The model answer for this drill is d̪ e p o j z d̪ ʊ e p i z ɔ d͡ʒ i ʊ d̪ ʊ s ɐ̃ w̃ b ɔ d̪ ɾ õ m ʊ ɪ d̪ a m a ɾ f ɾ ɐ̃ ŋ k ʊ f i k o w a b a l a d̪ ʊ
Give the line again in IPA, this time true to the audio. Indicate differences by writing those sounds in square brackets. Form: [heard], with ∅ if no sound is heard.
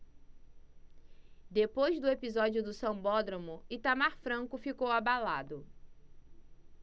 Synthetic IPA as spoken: d̪ e p o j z d̪ ʊ e p i z ɔ d͡ʒ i ʊ d̪ ʊ s ɐ̃ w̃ b ɔ d̪ ɾ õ m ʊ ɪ [t̪] a m a ɾ f ɾ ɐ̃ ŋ k ʊ f i k o w a b a l a d̪ ʊ